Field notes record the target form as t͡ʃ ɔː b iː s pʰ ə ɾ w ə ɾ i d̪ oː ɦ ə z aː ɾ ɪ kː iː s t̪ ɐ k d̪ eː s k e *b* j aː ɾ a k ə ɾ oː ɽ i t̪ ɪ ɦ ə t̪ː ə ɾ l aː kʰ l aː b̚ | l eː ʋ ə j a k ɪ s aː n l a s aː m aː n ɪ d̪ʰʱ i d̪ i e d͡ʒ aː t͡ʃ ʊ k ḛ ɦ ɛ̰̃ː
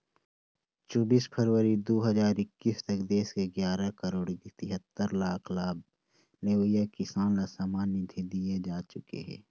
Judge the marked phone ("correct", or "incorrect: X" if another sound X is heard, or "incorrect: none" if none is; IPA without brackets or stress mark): incorrect: ɡ